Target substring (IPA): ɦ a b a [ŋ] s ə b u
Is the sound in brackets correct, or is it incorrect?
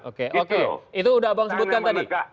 correct